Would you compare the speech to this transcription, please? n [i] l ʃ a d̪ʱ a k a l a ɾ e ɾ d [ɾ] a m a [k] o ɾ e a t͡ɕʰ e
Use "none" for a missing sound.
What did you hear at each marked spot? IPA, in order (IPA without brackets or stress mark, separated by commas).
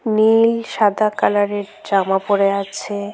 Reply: i, ɾ, p